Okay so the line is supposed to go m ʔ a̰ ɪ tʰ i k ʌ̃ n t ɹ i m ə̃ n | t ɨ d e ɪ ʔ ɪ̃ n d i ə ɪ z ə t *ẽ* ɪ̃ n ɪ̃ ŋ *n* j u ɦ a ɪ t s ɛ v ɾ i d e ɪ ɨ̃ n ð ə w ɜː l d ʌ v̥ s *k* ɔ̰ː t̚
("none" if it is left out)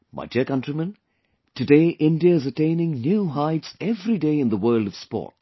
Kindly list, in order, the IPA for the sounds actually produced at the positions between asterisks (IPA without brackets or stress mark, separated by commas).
ẽ, n, p